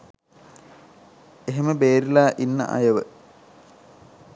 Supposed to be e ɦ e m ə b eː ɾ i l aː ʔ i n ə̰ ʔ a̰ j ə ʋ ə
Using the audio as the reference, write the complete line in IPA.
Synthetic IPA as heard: e ɦ e m ə b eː ɾ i l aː ʔ i nː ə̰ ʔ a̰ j ə ʋ ə